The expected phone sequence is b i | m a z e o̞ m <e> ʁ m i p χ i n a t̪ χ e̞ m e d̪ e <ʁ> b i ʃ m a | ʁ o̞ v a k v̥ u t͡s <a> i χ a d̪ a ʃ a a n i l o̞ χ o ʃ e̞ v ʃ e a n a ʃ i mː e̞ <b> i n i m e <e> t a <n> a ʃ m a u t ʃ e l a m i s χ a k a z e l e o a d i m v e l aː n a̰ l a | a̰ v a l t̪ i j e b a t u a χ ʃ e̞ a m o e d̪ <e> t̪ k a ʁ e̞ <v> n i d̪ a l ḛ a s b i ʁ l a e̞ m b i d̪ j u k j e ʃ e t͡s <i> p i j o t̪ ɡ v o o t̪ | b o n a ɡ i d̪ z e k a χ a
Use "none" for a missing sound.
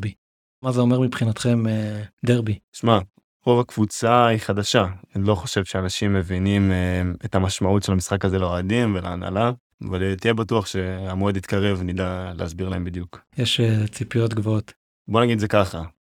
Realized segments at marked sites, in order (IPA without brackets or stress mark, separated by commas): e, ʁ, a, v, e, m, i, v, i